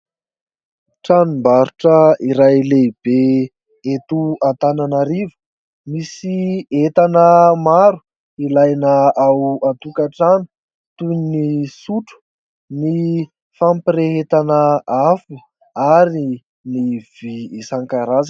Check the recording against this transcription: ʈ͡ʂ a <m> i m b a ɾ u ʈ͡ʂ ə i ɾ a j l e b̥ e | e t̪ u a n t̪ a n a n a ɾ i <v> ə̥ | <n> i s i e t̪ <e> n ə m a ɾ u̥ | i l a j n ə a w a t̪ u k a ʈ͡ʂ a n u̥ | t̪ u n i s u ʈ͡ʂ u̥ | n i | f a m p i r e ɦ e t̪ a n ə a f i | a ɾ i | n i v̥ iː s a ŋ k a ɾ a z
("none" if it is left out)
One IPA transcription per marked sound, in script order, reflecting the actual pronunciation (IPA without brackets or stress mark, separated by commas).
n, v, m, a